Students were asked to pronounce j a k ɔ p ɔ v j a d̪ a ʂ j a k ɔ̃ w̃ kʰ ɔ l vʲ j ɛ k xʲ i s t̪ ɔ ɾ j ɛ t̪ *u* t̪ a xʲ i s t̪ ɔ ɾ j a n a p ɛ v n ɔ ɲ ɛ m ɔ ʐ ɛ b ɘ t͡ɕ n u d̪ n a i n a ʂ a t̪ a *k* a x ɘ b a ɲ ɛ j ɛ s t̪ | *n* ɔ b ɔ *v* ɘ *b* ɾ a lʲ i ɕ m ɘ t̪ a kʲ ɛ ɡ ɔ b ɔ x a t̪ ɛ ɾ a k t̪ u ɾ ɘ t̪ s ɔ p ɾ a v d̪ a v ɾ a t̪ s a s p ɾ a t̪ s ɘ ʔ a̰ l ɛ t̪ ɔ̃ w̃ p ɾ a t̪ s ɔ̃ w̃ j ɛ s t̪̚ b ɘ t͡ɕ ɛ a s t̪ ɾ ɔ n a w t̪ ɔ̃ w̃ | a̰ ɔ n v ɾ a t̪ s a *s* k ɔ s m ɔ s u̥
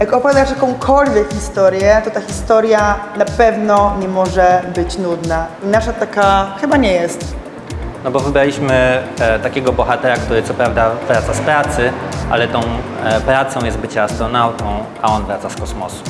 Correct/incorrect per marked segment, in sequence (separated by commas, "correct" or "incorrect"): incorrect, correct, correct, correct, correct, correct